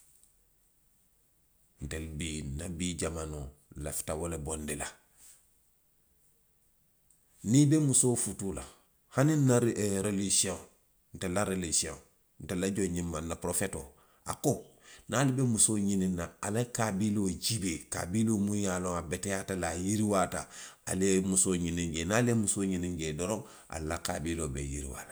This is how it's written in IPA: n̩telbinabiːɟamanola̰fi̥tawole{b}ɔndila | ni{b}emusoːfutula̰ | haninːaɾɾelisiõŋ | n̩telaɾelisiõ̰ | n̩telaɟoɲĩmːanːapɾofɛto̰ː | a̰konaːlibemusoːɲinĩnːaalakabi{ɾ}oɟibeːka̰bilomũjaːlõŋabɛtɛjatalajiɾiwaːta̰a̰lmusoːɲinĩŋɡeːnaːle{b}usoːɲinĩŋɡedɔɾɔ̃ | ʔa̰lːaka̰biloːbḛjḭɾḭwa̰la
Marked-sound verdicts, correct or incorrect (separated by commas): correct, correct, incorrect, incorrect